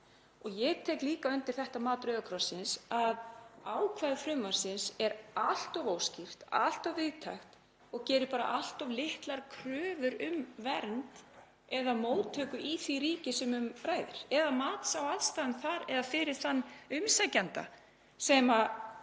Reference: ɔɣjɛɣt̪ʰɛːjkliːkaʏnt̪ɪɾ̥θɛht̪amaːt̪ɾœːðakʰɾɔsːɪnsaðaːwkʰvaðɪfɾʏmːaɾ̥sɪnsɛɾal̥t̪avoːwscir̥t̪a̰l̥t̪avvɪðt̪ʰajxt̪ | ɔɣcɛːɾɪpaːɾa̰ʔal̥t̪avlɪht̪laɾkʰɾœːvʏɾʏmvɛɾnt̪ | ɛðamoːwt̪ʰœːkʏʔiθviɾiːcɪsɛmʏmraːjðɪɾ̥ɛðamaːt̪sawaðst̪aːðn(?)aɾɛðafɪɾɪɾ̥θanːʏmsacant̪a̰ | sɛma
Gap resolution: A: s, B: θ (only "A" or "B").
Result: B